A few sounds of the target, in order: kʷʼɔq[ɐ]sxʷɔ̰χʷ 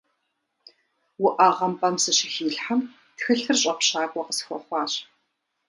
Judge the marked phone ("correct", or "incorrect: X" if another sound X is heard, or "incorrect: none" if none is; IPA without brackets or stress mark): incorrect: ə